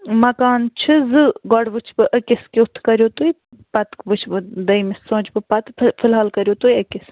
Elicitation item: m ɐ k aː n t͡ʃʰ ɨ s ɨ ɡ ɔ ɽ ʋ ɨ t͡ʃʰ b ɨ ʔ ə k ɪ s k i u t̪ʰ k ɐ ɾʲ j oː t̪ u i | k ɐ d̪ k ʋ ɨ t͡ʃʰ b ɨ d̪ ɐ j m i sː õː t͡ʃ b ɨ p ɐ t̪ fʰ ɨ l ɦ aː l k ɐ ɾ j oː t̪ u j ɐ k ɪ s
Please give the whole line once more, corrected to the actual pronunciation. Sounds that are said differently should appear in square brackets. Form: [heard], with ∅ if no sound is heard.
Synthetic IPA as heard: m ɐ k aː n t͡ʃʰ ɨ [z] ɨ ɡ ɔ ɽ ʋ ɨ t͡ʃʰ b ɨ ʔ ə k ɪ s k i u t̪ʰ k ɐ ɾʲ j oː t̪ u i | [p] ɐ [t̪] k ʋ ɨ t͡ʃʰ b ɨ d̪ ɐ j m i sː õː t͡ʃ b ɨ p ɐ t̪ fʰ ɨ l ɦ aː l k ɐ ɾ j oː t̪ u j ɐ k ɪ s